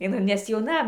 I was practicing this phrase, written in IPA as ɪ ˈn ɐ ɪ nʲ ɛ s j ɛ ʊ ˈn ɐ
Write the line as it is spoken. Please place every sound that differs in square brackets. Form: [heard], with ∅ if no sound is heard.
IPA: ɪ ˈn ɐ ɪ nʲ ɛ s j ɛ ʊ ˈn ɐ